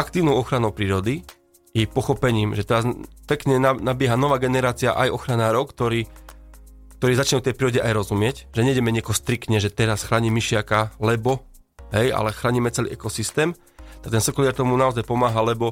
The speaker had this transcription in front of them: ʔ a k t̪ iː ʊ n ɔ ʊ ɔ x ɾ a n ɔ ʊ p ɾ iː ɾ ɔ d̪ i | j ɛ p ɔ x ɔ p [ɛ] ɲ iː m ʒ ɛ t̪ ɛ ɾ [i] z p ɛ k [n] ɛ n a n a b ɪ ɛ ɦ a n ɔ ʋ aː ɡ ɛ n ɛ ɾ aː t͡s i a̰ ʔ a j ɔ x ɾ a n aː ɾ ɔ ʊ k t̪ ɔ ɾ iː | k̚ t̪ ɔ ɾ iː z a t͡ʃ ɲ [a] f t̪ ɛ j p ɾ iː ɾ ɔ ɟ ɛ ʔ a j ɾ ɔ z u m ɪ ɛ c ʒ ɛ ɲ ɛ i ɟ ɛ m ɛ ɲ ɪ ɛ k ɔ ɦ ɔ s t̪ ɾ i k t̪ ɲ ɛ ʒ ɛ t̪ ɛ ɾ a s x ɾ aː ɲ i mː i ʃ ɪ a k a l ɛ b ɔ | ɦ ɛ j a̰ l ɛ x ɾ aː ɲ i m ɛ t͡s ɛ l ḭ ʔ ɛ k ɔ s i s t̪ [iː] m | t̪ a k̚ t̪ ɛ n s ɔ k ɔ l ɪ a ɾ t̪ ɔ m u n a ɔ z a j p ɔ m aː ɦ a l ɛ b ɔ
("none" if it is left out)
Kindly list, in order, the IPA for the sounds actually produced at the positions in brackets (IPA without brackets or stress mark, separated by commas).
ɛ, a, ɲ, ɛ, ɛː